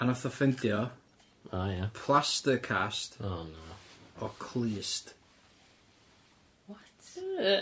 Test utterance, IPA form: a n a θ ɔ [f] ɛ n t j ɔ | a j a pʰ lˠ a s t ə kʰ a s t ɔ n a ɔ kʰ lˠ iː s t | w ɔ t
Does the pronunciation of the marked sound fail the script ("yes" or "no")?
no